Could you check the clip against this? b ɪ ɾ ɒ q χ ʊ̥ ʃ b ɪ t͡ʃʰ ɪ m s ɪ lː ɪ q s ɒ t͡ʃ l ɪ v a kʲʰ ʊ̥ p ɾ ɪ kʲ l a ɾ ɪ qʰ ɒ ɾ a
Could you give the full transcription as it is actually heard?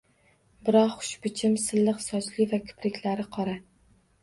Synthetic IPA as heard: b ɪ ɾ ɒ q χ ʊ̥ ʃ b ɪ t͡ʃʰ ɪ m s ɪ lː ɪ q s ɒ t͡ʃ l ɪ v a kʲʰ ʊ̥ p ɾ ɪ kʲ l a ɾ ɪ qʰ ɒ ɾ a